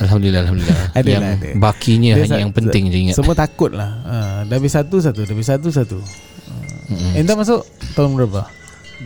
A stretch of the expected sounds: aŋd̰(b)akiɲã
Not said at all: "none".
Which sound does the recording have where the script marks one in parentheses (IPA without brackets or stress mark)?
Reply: b